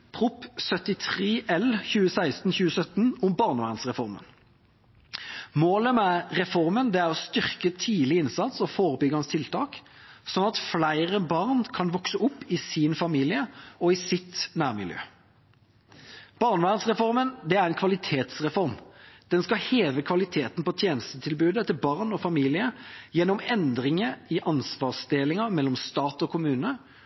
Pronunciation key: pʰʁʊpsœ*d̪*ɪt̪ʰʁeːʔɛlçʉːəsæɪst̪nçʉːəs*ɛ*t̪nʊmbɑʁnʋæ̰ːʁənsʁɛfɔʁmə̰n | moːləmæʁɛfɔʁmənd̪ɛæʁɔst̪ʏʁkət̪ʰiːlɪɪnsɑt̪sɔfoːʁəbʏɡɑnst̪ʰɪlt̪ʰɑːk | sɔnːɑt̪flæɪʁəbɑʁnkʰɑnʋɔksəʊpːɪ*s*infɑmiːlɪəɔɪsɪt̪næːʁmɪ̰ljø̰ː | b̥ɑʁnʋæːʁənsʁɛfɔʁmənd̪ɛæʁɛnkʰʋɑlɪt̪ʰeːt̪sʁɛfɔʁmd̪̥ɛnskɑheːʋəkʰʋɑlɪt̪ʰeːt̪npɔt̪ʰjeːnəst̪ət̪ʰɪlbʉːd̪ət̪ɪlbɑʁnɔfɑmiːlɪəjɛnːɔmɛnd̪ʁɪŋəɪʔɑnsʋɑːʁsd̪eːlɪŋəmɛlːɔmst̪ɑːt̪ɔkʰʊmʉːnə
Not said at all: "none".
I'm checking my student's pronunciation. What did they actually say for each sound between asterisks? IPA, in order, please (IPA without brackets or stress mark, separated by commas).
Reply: t̪, œ, s